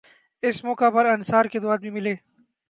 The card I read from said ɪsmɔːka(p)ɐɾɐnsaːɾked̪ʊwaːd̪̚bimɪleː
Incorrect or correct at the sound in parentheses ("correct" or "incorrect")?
correct